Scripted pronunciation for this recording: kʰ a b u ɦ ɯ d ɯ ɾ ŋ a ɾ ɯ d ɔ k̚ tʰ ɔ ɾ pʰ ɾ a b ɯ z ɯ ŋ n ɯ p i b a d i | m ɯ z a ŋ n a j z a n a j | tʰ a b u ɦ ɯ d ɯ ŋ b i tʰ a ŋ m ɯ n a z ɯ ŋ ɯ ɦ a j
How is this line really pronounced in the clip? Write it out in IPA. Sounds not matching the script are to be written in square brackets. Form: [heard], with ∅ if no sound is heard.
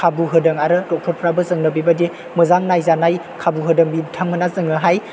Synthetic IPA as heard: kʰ a b u ɦ ɯ d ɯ [∅] ŋ a ɾ ɯ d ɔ k̚ tʰ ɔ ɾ pʰ ɾ a b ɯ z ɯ ŋ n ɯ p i b a d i | m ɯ z a ŋ n a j z a n a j | [kʰ] a b u ɦ ɯ d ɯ ŋ b i tʰ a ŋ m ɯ n a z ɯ ŋ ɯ ɦ a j